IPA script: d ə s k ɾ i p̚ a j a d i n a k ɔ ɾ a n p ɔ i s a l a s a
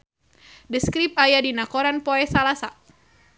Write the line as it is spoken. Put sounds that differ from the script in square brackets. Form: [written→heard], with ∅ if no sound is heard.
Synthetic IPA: d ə s k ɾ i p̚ a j a d i n a k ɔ ɾ a n p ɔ [i→ɛ] s a l a s a